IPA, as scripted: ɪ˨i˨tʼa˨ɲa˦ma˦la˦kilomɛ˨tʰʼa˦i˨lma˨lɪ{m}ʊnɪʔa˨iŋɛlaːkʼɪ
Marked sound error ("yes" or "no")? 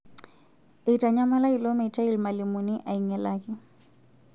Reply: no